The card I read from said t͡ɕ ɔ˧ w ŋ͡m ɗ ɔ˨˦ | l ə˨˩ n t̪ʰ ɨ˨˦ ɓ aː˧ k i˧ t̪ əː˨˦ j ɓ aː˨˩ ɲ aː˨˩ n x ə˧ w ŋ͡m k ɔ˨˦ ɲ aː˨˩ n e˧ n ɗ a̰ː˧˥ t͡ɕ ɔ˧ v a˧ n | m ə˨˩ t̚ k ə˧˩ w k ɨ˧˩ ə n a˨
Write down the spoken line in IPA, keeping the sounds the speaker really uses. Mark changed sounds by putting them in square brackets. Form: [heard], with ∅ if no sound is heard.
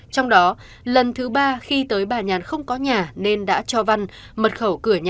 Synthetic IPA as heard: t͡ɕ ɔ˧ w ŋ͡m ɗ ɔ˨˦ | l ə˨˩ n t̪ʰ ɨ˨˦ ɓ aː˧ [x] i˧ t̪ əː˨˦ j ɓ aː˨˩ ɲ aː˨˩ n x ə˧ w ŋ͡m k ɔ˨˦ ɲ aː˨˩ n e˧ n ɗ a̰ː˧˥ t͡ɕ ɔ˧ v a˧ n | m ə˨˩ t̚ [x] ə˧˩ w k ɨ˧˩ ə [ɲ] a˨